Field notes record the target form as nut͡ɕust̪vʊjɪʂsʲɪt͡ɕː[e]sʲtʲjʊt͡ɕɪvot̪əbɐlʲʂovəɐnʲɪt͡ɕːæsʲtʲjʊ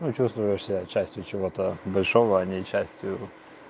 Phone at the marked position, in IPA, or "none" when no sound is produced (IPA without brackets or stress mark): æ